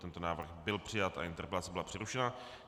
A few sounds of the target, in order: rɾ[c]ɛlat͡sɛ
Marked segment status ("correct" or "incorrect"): incorrect